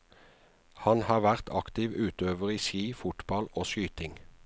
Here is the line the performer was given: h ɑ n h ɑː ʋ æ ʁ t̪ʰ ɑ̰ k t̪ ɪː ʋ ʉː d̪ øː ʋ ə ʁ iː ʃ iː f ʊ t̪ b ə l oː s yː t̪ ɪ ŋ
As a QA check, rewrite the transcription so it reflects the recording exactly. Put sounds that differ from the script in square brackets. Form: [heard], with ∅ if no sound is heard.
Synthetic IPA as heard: h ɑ n h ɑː ʋ æ ʁ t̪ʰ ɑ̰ k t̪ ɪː ʋ ʉː [t̪] øː ʋ ə ʁ iː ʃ iː f ʊ t̪ b [ɑ] l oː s yː t̪ ɪ ŋ